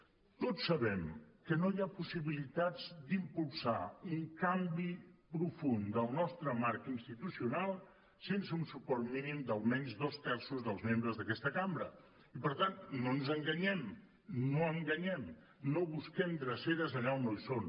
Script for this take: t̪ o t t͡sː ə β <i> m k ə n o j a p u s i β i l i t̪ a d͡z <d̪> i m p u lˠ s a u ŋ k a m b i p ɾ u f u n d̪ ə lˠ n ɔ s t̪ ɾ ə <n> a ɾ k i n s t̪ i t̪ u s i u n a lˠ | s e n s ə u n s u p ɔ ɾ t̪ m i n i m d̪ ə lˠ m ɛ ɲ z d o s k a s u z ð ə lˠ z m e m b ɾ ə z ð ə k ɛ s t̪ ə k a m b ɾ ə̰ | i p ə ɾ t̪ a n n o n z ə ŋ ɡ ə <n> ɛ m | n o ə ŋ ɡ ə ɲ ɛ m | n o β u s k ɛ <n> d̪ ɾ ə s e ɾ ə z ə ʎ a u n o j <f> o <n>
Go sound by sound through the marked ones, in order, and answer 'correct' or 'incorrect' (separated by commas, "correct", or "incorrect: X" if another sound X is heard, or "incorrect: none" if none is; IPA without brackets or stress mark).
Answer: incorrect: ɛ, correct, incorrect: m, incorrect: ɲ, incorrect: m, incorrect: s, correct